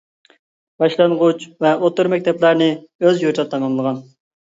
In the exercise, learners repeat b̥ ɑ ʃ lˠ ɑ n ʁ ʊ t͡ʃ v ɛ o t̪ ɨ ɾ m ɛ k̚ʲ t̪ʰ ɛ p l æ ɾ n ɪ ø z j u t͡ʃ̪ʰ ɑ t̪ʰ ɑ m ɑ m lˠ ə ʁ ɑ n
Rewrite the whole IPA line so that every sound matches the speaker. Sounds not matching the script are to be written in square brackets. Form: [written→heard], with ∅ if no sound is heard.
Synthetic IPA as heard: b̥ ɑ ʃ lˠ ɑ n ʁ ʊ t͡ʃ v ɛ o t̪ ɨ ɾ m ɛ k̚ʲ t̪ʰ ɛ p l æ ɾ n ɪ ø z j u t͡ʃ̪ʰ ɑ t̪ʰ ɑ m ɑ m lˠ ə ʁ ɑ n